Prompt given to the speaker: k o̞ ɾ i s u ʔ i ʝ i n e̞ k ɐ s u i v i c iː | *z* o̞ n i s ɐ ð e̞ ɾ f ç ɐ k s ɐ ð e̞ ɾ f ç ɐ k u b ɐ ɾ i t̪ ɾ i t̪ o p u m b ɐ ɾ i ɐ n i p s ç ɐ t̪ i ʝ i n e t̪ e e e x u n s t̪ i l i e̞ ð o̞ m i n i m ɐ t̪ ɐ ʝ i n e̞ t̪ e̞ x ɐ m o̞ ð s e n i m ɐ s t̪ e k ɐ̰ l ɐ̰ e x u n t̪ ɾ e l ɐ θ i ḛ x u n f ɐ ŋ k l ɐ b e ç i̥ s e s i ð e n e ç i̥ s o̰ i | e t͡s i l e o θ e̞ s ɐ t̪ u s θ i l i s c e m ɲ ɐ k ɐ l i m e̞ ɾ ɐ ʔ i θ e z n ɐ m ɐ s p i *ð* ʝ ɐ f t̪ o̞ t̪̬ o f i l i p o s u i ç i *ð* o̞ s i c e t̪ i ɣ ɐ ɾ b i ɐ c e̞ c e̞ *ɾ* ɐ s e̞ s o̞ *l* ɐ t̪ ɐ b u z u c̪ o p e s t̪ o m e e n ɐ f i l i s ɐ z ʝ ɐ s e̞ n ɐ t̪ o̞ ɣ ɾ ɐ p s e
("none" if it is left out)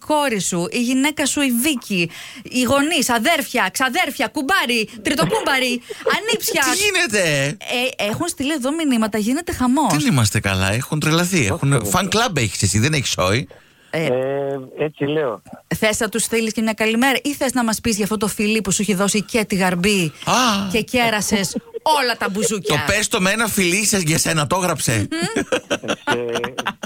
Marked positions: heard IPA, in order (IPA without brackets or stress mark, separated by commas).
ɣ, z, ð, ɾ, l